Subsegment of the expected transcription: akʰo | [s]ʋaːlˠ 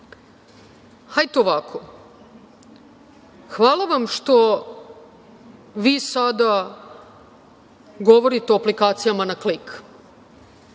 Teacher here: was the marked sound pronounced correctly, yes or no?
no